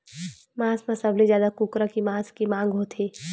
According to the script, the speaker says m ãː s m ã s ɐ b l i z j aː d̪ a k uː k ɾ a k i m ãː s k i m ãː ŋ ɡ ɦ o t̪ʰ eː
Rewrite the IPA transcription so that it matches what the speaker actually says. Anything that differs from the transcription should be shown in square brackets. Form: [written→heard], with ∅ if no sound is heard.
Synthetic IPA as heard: m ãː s m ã s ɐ b l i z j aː d̪ a k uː k ɾ a k i m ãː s k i m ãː ŋ ɡ ɦ o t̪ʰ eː